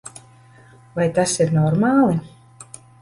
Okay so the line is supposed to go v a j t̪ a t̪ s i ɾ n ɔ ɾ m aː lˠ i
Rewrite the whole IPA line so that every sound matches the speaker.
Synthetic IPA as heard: v a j t̪ a s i ɾ n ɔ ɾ m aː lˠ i